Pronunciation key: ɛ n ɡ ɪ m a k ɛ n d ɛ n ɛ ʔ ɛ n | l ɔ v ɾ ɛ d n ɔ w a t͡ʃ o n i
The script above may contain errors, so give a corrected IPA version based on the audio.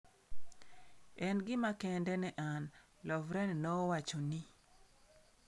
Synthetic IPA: ɛ n ɡ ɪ m a k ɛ n d ɛ n ɛ ʔ a n | l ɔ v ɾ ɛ n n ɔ w a t͡ʃ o n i